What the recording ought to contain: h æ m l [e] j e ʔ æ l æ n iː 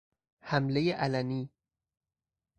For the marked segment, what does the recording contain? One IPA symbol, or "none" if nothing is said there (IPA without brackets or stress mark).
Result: e